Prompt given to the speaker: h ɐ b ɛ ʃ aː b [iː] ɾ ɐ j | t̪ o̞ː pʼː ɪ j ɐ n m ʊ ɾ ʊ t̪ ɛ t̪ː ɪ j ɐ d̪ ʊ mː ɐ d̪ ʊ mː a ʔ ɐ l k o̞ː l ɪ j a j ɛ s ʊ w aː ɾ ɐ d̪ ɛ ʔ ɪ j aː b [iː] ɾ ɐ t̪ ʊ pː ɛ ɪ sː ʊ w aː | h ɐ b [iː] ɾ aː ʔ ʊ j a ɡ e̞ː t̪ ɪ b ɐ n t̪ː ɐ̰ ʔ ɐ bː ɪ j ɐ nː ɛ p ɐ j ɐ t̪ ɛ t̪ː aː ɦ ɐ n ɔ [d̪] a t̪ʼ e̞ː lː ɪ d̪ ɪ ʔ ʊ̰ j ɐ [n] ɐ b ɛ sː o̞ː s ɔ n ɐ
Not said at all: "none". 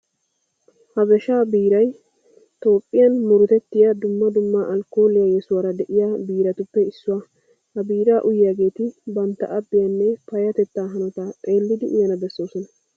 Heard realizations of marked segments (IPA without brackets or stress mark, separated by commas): iː, iː, iː, t̪, n